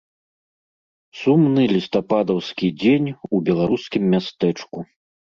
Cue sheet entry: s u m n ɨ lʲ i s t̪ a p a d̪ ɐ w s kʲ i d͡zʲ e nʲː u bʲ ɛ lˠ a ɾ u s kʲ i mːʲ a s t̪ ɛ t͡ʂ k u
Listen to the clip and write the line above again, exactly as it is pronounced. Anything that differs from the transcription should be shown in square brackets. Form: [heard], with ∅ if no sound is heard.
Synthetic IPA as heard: s u m n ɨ lʲ i s t̪ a p a d̪ ɐ w s kʲ i d͡zʲ e [nʲ] u bʲ ɛ lˠ a ɾ u s kʲ i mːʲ a s t̪ ɛ t͡ʂ k u